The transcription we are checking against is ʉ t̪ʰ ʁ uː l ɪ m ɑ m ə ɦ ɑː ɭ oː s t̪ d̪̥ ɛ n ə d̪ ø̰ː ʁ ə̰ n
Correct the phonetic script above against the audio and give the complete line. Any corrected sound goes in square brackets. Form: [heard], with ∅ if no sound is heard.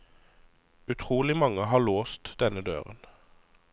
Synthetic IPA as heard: ʉ t̪ʰ ʁ uː l ɪ m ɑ [ŋ] ə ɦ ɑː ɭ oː s t̪ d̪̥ ɛ n ə d̪ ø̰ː ʁ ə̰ n